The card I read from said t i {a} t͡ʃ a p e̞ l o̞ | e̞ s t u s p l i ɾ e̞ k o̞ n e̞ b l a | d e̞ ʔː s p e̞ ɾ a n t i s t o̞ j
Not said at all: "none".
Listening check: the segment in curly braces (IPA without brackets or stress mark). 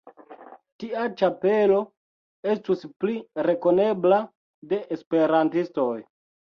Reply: a